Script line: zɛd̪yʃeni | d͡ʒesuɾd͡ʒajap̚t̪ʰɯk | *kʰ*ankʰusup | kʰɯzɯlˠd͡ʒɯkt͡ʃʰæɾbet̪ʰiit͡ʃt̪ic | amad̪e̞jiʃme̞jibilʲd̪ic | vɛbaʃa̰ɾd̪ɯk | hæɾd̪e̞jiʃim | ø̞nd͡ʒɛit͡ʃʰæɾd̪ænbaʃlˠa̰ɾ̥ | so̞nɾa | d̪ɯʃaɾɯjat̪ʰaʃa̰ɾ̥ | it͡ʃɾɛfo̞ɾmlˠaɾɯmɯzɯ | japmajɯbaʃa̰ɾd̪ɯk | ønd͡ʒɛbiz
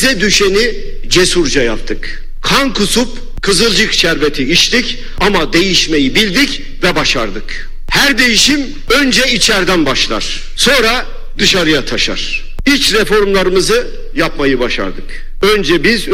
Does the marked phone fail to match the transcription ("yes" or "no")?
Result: no